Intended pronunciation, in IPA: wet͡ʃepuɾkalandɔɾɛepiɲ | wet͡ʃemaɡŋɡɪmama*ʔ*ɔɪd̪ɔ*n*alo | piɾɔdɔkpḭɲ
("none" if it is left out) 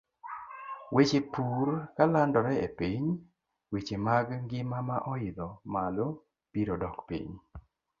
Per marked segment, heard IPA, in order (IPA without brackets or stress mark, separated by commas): ʔ, m